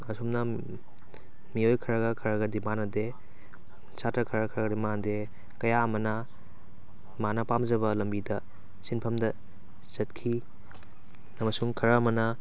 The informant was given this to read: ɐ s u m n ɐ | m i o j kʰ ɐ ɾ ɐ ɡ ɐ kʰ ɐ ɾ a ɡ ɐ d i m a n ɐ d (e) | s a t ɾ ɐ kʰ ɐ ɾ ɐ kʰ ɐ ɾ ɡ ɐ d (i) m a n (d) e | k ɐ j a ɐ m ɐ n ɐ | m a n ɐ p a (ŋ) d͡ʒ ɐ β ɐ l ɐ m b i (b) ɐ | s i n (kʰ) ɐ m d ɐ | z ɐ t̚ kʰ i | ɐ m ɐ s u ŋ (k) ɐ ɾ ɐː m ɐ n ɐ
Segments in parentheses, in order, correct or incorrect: correct, correct, correct, incorrect, incorrect, incorrect, incorrect

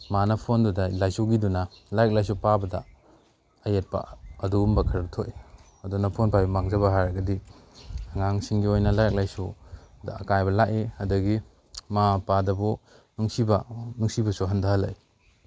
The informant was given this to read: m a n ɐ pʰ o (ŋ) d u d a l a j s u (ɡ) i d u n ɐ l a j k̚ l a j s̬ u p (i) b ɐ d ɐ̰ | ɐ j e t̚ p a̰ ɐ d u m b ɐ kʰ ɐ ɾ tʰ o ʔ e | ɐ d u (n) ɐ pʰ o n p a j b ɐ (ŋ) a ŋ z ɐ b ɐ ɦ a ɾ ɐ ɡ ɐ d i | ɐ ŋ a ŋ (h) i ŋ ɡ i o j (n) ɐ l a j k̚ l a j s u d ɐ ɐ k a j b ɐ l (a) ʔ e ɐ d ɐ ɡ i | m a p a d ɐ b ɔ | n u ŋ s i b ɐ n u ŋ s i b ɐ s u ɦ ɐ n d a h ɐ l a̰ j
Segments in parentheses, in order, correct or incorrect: incorrect, correct, incorrect, correct, incorrect, incorrect, correct, correct

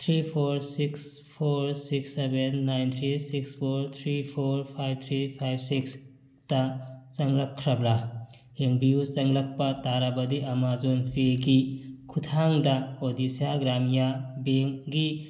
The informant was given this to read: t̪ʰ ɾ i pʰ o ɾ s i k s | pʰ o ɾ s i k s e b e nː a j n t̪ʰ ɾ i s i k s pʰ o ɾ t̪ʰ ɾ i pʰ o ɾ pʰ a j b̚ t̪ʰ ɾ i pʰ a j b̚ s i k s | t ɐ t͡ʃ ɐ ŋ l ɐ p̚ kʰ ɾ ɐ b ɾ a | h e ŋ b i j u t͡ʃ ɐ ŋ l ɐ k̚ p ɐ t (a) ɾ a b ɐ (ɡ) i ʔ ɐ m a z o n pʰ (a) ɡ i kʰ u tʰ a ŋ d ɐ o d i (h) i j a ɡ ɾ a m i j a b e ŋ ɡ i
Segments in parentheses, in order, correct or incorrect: correct, incorrect, incorrect, incorrect

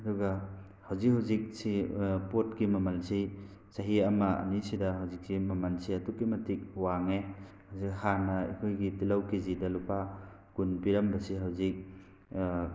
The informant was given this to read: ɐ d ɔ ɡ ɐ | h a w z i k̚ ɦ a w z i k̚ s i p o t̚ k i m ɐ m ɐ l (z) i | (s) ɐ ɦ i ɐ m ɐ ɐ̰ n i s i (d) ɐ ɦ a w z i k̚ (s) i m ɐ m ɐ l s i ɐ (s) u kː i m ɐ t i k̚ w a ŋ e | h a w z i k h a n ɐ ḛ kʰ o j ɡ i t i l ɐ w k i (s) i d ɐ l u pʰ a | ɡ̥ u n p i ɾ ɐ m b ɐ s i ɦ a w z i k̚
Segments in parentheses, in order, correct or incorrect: incorrect, correct, correct, correct, incorrect, incorrect

